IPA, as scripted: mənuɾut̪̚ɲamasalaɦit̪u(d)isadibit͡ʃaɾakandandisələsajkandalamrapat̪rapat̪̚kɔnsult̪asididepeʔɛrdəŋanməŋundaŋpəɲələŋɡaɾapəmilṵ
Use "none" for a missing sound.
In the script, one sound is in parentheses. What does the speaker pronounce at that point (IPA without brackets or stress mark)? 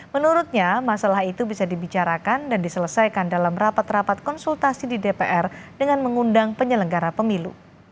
b